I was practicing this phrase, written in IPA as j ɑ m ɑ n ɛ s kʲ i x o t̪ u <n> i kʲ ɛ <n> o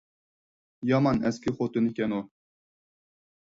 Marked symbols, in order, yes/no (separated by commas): yes, yes